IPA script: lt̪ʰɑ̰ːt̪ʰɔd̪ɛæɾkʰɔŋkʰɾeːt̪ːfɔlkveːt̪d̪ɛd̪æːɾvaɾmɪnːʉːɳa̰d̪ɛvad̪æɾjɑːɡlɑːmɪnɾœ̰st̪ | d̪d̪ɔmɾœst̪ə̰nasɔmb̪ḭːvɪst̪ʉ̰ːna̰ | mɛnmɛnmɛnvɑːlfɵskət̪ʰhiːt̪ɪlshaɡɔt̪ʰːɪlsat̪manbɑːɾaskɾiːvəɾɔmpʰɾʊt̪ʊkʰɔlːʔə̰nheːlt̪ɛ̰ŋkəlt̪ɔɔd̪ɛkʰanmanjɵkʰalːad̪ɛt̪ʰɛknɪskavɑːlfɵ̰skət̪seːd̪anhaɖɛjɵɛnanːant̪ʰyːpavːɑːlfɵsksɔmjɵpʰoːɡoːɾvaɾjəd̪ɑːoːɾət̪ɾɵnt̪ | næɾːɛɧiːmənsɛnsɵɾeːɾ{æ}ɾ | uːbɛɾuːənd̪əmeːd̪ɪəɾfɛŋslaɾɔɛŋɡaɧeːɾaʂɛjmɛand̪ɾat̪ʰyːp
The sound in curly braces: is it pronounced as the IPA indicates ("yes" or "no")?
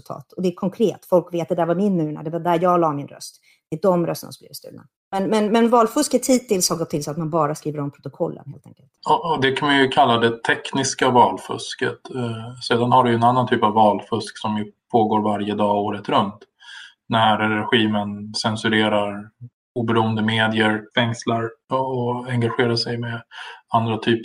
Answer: no